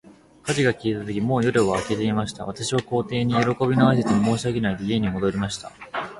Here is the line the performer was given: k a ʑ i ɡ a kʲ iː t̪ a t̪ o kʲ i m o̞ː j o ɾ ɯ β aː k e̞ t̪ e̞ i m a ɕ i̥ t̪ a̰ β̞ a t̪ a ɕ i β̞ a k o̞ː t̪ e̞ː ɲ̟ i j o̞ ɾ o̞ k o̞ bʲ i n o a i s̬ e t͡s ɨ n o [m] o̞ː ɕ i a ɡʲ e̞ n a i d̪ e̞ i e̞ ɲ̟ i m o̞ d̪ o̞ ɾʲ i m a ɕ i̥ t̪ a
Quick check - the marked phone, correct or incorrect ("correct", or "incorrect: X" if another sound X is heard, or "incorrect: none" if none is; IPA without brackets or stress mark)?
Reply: correct